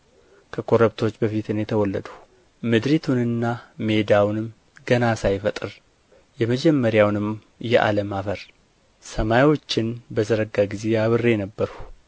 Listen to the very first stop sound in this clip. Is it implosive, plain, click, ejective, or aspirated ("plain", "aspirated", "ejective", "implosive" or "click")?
aspirated